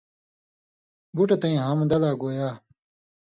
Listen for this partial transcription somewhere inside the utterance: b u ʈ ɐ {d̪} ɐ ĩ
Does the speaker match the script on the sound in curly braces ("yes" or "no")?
no